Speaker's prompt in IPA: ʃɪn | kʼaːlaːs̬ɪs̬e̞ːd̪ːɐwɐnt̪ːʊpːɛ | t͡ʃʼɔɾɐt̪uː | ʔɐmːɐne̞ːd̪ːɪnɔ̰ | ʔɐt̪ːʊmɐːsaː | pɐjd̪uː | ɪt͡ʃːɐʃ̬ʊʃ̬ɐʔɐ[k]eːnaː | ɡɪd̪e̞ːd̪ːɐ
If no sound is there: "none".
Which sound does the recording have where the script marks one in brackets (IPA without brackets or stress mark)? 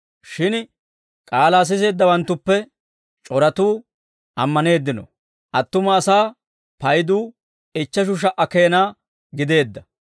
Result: k